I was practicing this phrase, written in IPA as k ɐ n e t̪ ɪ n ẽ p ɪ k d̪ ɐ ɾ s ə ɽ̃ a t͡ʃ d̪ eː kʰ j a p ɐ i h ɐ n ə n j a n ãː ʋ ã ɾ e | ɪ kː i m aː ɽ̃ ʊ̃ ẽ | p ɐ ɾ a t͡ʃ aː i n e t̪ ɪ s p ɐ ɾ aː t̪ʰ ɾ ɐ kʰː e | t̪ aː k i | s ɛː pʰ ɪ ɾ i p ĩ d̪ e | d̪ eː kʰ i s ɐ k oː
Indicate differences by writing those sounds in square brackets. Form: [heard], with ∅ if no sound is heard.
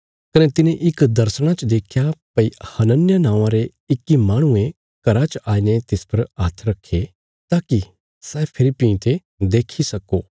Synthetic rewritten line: k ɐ n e t̪ ɪ n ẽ [ʔ] ɪ k d̪ ɐ ɾ s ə ɽ̃ a t͡ʃ d̪ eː kʰ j a p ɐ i h ɐ n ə n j a n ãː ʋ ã ɾ e | ɪ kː i m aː ɽ̃ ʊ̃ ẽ | [k] ɐ ɾ a t͡ʃ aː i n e t̪ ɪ s p ɐ ɾ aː t̪ʰ ɾ ɐ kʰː e | t̪ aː k i | s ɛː pʰ ɪ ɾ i p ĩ [t̪] e | d̪ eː kʰ i s ɐ k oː